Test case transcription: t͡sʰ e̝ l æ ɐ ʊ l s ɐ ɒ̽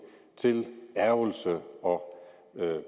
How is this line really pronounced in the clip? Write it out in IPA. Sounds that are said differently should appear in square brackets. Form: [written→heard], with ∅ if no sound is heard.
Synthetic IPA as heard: t͡sʰ e̝ l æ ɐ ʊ l s [ɐ→ə] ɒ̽